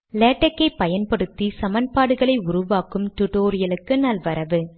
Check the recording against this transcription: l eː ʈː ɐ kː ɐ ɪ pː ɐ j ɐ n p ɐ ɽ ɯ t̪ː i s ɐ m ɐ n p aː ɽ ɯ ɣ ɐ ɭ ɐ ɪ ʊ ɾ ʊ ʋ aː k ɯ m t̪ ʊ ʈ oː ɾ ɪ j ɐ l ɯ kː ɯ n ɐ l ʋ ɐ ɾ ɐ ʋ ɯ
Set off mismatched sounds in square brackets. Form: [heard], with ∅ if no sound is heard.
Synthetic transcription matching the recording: l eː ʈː ɐ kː ɐ ɪ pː ɐ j ɐ n p ɐ ɽ ɯ t̪ː i s ɐ m ɐ n p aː ɽ ɯ ɣ ɐ ɭ ɐ ɪ ʊ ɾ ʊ ʋ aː k ɯ m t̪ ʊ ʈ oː ɾ ɪ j ɐ l ɯ kː ɯ n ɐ l ʋ ɐ ɾ ɐ ʋ ɯ